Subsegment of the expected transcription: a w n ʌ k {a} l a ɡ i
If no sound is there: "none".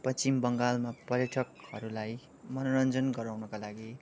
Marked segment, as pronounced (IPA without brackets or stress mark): a